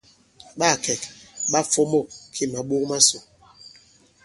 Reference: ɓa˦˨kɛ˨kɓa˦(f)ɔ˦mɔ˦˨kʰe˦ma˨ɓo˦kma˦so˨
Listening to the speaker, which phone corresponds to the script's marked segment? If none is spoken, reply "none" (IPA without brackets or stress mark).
f